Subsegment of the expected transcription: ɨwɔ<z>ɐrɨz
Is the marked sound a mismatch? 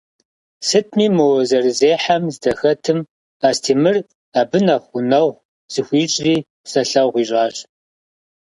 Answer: no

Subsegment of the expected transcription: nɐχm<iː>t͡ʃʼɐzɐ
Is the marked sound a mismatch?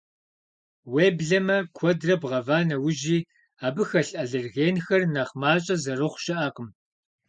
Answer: yes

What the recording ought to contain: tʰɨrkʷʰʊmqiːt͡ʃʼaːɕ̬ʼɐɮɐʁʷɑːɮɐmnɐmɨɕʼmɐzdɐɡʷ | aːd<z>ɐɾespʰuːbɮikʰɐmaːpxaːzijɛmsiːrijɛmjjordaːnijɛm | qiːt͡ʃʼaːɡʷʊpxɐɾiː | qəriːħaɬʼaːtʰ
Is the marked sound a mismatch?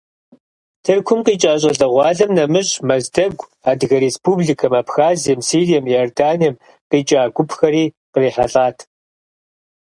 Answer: yes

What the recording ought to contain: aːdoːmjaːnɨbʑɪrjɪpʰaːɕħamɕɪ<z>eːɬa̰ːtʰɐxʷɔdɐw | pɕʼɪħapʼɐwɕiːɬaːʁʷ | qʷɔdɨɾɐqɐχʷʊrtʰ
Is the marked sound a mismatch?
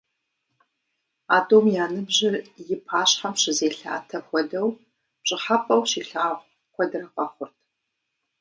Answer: no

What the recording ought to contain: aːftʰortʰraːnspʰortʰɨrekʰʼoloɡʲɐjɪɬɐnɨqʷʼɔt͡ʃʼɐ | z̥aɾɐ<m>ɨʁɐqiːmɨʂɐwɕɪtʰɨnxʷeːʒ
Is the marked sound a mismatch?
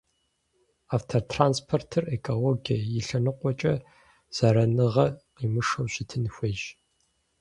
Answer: yes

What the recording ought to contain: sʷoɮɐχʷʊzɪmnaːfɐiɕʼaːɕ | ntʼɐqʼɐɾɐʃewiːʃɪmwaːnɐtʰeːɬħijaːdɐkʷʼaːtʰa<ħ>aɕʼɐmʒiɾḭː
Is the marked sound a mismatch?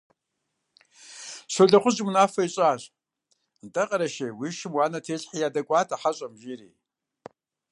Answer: no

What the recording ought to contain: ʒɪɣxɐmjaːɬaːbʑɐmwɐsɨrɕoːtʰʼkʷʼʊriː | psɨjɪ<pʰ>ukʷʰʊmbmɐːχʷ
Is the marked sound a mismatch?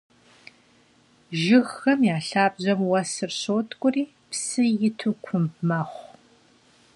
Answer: yes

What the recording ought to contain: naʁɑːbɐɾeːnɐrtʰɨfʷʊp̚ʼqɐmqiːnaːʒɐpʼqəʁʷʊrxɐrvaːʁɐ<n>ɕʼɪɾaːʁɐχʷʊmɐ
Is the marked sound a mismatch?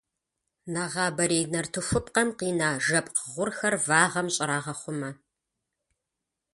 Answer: yes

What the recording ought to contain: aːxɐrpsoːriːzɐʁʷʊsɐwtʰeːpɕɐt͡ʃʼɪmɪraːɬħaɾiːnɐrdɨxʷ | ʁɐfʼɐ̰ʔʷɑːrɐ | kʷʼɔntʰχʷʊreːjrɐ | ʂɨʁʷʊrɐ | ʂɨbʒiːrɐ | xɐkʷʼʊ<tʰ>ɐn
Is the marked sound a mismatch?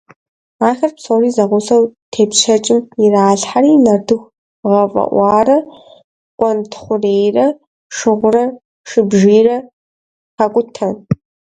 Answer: no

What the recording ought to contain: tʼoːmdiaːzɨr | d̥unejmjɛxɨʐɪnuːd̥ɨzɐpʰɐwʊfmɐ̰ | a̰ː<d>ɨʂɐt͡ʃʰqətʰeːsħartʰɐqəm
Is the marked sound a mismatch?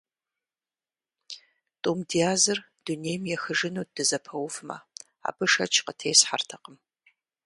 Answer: yes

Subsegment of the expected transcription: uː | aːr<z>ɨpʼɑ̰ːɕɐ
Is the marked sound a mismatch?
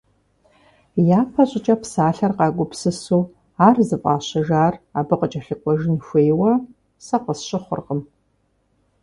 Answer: no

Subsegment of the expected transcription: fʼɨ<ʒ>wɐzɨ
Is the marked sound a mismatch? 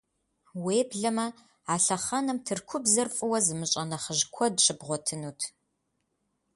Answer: yes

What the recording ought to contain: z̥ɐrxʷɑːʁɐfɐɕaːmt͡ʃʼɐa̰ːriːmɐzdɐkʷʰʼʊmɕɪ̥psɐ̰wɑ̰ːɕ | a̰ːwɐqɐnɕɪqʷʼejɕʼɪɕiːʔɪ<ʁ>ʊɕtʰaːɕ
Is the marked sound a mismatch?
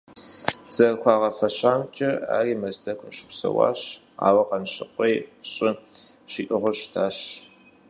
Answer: no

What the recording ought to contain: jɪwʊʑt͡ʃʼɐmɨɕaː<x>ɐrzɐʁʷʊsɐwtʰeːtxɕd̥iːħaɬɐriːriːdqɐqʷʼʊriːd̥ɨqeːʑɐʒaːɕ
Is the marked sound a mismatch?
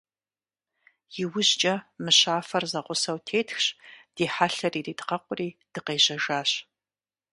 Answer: yes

